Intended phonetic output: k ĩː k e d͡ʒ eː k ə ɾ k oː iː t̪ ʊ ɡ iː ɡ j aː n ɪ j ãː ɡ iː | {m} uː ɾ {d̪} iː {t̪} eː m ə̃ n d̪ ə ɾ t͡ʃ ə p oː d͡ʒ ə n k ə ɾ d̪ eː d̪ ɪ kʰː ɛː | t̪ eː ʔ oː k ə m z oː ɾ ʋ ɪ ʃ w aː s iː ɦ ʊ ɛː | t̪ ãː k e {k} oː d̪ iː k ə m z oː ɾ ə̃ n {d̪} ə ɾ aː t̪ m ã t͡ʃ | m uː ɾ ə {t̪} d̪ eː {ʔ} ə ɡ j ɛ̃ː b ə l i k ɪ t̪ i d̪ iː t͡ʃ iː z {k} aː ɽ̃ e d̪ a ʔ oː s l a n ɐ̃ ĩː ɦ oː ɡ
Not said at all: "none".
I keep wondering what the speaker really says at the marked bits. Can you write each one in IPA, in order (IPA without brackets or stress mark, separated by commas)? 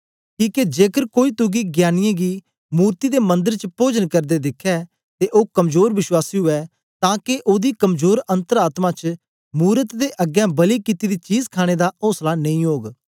m, t̪, d̪, ʔ, t̪, t̪, ʔ, kʰ